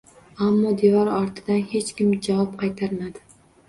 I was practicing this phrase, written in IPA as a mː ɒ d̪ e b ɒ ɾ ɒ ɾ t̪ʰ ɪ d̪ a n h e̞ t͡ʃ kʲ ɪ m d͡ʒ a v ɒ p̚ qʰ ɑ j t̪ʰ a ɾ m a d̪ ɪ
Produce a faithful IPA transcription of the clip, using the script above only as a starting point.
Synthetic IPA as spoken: a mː ɒ d̪ e v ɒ ɾ ɒ ɾ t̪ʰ ɪ d̪ a n h e̞ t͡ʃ kʲ ɪ m d͡ʒ a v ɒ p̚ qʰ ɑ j t̪ʰ a ɾ m a d̪ ɪ